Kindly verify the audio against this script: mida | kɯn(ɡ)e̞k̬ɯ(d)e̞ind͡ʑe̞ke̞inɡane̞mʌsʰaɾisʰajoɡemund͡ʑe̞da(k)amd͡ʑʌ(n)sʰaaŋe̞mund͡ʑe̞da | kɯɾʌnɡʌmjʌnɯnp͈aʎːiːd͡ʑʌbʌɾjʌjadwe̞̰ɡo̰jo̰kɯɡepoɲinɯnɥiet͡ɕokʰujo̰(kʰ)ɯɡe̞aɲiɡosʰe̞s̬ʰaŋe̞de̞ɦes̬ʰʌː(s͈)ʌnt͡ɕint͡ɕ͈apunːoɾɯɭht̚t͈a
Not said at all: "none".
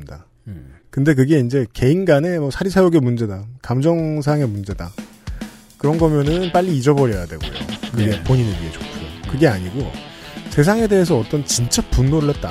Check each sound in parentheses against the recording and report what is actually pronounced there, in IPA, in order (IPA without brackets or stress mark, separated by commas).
d, ɡ, k, ŋ, k, t͈